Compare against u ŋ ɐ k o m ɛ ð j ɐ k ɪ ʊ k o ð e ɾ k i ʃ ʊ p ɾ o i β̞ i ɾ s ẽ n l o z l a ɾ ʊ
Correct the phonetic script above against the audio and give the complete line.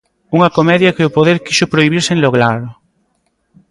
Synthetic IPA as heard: u ŋ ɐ k o m ɛ ð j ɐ k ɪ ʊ p o ð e ɾ k i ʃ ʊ p ɾ o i β̞ i ɾ s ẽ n l o ɣ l a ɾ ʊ